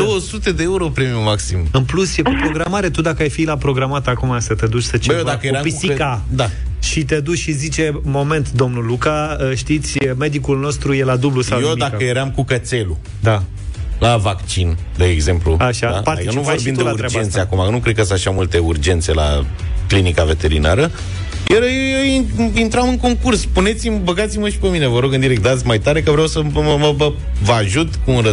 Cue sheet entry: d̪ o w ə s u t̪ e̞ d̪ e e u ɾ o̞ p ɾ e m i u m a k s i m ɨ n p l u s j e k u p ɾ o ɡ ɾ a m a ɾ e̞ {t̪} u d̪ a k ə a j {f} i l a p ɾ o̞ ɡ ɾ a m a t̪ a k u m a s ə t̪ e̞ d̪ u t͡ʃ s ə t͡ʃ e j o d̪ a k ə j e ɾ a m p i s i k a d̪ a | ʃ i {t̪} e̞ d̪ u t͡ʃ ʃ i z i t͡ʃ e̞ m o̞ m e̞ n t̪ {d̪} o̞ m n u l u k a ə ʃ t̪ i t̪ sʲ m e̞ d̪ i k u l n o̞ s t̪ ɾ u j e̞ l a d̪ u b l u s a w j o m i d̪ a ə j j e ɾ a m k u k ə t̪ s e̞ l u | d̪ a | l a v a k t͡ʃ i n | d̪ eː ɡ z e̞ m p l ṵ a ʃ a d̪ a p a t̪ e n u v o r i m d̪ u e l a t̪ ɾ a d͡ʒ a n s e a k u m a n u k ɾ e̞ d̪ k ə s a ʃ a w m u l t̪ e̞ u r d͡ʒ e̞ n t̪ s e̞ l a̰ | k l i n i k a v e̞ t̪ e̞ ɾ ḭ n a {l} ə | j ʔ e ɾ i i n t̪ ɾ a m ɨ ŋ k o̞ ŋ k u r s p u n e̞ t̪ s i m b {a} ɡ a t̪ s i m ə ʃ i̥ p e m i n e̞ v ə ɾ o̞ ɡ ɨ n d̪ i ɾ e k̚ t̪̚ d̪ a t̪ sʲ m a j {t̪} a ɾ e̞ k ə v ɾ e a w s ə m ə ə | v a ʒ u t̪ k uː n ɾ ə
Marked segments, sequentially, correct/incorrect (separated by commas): correct, correct, correct, correct, incorrect, incorrect, correct